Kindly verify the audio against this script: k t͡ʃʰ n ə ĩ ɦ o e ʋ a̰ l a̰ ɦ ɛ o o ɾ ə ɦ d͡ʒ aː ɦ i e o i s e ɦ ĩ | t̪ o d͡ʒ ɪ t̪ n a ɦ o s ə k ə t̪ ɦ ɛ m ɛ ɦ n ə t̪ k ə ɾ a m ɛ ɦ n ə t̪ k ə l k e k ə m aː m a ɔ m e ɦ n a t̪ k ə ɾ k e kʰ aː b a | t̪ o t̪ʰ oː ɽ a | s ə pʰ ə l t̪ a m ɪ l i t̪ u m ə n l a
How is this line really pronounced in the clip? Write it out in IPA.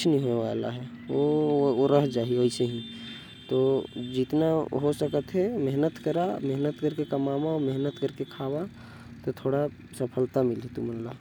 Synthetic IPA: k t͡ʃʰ n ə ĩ ɦ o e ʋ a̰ l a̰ ɦ ɛ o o ɾ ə ɦ d͡ʒ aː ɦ i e o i s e ɦ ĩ | t̪ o d͡ʒ ɪ t̪ n a ɦ o s ə k ə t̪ ɦ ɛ m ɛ ɦ n ə t̪ k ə ɾ a m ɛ ɦ n ə t̪ k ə ɾ k e k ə m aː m a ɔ m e ɦ n ə t̪ k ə ɾ k e kʰ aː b a | t̪ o t̪ʰ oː ɽ a | s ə pʰ ə l t̪ a m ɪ l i t̪ u m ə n l a